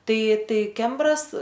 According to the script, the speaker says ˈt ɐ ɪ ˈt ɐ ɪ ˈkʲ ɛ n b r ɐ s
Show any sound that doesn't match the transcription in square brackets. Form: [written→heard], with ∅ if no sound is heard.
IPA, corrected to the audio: ˈt ɐ ɪ ˈt ɐ ɪ ˈkʲ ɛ [n→m] b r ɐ s